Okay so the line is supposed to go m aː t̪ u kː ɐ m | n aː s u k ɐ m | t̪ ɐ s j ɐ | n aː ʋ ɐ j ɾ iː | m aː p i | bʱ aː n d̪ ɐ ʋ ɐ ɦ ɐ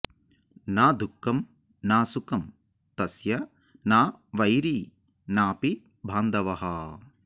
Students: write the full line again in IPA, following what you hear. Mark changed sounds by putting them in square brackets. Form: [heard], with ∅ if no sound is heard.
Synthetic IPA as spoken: [n] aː [d̪] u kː ɐ m | n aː s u k ɐ m | t̪ ɐ s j ɐ | n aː ʋ ɐ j ɾ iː | [n] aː p i | bʱ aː n d̪ ɐ ʋ ɐ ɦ ɐ